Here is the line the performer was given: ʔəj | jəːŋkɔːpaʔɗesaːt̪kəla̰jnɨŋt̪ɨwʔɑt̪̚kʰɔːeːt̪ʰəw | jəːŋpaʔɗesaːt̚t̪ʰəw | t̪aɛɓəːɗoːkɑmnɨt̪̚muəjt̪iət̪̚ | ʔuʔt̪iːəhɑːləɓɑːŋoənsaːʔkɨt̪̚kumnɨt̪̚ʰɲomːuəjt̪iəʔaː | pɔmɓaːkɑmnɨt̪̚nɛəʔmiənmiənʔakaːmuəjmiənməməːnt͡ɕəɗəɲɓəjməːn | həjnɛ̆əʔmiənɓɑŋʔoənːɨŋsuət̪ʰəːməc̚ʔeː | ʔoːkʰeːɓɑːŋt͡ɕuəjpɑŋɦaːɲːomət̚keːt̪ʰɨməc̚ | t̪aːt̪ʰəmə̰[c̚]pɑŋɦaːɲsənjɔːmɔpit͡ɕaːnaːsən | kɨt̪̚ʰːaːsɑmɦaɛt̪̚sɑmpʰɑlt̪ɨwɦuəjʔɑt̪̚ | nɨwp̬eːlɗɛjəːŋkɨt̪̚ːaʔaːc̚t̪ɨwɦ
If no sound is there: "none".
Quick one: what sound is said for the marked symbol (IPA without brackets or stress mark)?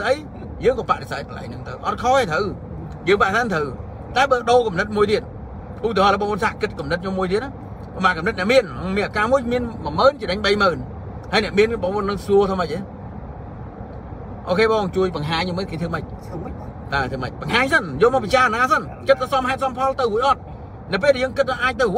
c̚